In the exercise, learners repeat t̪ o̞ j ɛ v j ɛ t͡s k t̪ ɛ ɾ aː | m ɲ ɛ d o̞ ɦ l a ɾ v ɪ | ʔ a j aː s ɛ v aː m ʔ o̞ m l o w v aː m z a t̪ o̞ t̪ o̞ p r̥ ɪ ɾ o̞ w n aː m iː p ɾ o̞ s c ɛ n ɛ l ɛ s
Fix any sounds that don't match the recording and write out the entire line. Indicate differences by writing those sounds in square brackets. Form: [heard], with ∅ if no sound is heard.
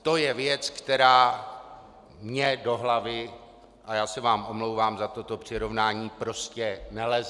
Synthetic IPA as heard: t̪ o̞ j ɛ v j ɛ t͡s k t̪ ɛ ɾ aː | m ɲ ɛ d o̞ ɦ l a [∅] v ɪ | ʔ a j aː s ɛ v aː m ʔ o̞ m l o w v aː m z a t̪ o̞ t̪ o̞ p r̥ ɪ ɾ o̞ [v] n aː [ɲ] iː p ɾ o̞ s c ɛ n ɛ l ɛ [z]